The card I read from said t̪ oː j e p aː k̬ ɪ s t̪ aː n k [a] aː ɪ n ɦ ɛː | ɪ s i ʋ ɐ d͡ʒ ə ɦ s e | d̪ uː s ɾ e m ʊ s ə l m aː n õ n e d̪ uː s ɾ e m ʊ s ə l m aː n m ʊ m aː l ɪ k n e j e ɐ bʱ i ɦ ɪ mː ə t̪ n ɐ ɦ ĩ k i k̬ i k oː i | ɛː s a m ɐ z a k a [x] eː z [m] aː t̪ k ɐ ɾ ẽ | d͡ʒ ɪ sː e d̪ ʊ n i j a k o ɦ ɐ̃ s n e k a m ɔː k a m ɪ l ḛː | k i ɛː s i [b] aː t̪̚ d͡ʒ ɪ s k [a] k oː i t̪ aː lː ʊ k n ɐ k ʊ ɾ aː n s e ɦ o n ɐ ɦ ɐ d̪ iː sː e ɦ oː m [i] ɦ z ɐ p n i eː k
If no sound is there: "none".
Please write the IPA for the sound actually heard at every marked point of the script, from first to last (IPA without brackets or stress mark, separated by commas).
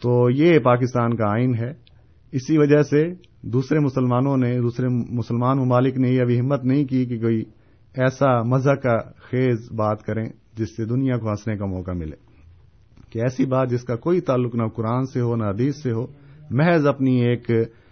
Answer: a, x, b, b, a, ɛ